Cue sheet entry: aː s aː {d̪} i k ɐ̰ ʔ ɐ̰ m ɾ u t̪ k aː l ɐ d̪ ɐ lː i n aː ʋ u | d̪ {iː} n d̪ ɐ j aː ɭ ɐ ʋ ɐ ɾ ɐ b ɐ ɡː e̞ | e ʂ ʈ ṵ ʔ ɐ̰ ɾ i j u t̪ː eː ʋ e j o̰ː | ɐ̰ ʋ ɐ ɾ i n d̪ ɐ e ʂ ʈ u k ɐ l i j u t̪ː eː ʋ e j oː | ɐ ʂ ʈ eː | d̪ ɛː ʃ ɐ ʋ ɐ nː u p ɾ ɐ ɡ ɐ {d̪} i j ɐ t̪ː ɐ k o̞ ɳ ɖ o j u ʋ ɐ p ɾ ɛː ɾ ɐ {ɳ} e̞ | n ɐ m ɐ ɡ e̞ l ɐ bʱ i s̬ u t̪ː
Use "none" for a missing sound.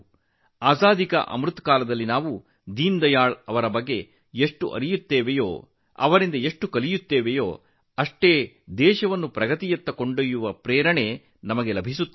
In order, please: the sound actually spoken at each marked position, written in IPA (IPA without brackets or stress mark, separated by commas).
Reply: d̪, iː, t̪, ɳ